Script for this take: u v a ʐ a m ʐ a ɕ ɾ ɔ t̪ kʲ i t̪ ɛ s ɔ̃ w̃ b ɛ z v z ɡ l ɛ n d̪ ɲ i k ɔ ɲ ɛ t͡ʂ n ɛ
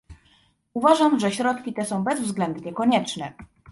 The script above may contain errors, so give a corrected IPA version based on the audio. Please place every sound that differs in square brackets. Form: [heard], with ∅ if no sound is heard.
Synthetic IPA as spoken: u v a ʐ a m ʐ [ɛ] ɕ ɾ ɔ t̪ kʲ i t̪ ɛ s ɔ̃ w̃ b ɛ z v z ɡ l ɛ n d̪ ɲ [ɛ] k ɔ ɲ ɛ t͡ʂ n ɛ